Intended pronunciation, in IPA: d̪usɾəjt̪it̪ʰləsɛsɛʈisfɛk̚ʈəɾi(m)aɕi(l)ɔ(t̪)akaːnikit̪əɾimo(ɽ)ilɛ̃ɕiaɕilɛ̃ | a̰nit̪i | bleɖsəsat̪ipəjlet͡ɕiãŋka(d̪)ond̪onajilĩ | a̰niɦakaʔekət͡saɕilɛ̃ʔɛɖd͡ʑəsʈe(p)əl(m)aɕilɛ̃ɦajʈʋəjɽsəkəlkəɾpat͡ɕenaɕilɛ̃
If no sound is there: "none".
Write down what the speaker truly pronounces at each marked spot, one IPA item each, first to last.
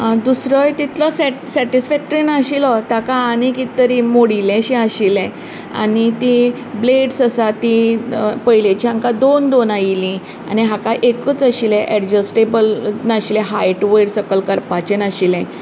n, l, t̪, ɽ, d̪, b, n

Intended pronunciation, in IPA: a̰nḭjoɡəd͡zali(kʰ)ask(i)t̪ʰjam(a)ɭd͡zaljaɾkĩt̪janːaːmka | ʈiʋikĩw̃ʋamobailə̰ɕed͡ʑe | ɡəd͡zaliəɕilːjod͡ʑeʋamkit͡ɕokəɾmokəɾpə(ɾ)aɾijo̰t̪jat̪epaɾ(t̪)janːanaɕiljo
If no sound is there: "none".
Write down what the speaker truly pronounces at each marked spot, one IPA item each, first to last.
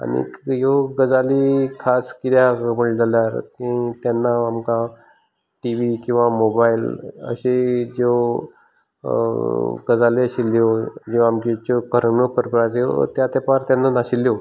kʰ, i, ə, ɾ, t̪

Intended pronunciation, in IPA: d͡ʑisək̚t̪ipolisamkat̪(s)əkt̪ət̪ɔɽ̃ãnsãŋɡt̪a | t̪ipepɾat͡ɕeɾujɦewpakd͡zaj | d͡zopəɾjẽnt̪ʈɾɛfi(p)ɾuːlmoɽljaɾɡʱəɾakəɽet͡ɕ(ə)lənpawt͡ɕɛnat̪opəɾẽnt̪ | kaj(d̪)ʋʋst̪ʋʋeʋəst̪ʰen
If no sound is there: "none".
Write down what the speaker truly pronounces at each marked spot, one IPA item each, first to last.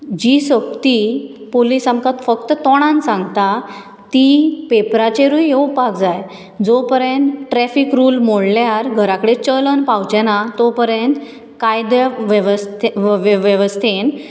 f, k, ə, d̪

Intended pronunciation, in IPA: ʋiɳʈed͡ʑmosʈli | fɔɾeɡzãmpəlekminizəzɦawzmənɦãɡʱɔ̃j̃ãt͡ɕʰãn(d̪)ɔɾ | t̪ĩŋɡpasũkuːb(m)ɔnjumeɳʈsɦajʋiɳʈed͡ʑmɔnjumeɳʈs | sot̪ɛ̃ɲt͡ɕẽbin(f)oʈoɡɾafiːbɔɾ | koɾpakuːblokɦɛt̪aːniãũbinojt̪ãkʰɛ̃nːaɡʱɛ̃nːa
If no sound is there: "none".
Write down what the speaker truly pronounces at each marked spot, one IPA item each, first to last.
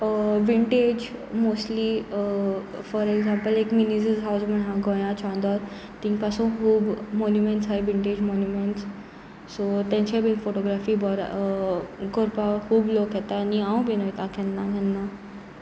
d̪, m, f

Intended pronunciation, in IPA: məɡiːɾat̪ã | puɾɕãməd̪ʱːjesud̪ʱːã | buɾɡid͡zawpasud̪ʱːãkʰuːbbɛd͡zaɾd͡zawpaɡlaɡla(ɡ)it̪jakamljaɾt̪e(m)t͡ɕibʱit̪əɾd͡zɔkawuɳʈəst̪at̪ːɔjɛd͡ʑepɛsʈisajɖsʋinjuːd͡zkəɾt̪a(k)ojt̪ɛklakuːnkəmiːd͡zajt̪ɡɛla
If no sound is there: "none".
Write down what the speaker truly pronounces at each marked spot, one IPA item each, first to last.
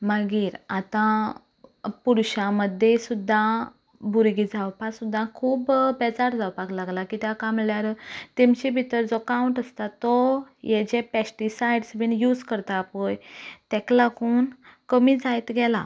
k, m, p

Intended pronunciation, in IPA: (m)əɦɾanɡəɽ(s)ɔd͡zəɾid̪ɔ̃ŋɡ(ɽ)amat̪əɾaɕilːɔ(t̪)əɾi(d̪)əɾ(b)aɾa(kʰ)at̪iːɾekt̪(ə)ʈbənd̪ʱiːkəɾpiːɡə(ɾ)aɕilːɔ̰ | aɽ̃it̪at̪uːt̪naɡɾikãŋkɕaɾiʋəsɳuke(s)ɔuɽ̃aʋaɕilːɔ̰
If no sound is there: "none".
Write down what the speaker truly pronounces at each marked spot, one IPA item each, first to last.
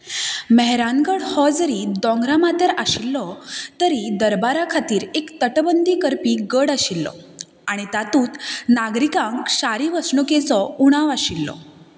m, h, ɾ, t̪, d̪, b, kʰ, ə, ɽ, t͡s

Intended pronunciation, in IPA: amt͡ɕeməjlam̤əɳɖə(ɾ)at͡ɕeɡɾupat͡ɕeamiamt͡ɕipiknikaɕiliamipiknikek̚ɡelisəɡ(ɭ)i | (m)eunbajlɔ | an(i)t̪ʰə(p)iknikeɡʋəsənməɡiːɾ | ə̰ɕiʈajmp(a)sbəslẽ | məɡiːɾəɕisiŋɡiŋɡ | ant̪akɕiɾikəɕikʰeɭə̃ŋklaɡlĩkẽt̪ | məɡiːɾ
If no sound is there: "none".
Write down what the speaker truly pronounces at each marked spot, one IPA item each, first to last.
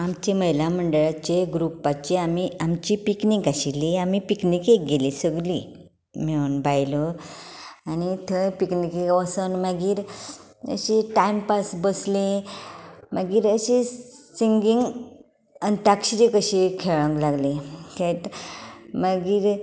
ɭ, l, m, i, p, a

